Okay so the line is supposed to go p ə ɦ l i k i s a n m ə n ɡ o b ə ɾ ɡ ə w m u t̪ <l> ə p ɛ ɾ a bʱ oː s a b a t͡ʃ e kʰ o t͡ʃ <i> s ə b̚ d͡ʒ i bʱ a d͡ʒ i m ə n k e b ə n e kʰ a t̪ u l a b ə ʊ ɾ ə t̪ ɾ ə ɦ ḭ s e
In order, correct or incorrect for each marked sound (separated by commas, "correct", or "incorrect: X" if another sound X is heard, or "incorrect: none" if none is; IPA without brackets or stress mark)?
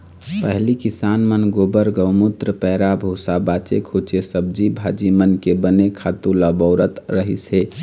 incorrect: ɾ, incorrect: e